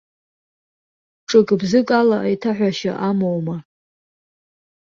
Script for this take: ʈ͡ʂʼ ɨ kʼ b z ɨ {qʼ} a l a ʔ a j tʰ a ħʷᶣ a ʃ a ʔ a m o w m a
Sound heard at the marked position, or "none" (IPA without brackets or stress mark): kʼ